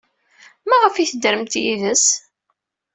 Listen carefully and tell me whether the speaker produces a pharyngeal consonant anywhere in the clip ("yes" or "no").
no